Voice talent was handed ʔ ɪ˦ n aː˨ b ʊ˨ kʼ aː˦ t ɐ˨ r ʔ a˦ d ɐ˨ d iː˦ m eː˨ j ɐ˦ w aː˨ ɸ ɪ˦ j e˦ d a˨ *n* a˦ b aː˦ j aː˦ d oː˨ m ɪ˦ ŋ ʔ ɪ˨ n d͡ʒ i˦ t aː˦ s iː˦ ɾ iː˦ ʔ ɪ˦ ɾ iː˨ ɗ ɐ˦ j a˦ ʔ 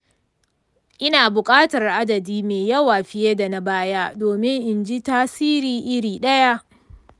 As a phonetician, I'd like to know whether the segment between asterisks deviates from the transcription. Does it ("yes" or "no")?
no